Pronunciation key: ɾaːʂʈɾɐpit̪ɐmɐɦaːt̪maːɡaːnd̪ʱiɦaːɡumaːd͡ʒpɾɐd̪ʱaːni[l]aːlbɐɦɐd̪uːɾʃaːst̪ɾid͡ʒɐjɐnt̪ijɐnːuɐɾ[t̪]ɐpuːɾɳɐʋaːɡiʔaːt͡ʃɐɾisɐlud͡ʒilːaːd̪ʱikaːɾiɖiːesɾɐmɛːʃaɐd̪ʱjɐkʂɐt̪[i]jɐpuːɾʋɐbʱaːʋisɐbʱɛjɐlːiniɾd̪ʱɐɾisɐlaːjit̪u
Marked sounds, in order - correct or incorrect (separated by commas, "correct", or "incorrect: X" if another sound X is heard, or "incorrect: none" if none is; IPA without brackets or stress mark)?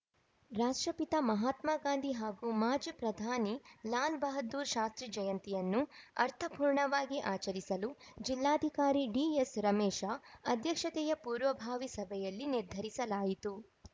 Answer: correct, incorrect: t̪ʰ, incorrect: ɛ